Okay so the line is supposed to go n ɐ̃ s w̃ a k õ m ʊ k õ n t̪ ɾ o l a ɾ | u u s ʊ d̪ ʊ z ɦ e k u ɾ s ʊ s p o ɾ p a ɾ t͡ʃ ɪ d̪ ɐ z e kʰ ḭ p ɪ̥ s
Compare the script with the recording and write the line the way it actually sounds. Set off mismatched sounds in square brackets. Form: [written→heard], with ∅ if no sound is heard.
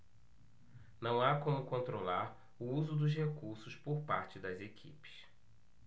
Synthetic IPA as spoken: n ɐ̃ [s→∅] w̃ a k õ m ʊ k õ n t̪ ɾ o l a ɾ | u u [s→z] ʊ d̪ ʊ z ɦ e k u ɾ s ʊ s p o ɾ p a ɾ t͡ʃ ɪ d̪ ɐ z e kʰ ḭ p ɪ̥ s